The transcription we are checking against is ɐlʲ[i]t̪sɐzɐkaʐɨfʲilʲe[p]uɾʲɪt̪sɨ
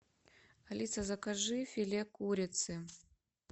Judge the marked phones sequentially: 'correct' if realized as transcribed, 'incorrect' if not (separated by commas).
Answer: correct, incorrect